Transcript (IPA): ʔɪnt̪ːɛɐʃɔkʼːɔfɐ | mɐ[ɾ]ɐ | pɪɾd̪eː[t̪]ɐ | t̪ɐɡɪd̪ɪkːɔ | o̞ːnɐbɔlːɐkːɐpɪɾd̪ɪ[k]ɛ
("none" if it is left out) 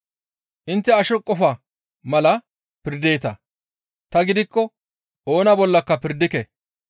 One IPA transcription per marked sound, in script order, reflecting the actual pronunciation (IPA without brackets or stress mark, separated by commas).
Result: l, t̪, k